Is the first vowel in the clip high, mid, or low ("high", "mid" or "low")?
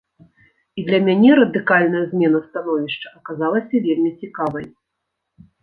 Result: high